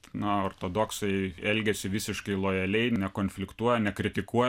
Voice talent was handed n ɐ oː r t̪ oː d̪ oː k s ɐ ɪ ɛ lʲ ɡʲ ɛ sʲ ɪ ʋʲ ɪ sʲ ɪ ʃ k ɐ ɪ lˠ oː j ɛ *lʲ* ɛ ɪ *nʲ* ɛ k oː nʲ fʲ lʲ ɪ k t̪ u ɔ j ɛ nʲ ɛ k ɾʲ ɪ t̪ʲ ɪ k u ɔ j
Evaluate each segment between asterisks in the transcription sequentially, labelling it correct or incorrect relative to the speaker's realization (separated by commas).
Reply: correct, correct